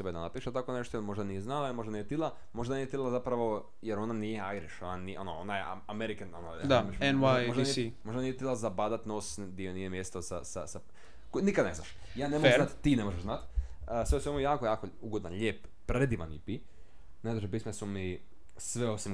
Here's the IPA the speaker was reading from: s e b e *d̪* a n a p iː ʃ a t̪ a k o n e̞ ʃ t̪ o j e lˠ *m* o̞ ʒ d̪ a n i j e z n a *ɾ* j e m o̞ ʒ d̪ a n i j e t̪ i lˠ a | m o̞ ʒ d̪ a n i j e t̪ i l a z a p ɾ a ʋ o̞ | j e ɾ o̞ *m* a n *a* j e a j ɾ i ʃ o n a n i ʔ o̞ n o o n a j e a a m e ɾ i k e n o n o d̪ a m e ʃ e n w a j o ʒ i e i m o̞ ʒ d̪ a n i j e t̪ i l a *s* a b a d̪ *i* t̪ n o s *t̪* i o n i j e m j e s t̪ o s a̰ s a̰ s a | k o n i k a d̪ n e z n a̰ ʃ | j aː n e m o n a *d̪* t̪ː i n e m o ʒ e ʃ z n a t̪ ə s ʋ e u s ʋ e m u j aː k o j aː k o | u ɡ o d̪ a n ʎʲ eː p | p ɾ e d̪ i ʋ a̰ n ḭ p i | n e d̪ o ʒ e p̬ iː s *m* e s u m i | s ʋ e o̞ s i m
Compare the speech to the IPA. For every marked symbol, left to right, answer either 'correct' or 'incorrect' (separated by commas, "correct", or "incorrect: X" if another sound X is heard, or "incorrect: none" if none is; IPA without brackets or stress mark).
correct, correct, incorrect: l, incorrect: n, incorrect: i, incorrect: z, incorrect: a, incorrect: d̪, incorrect: t̪, correct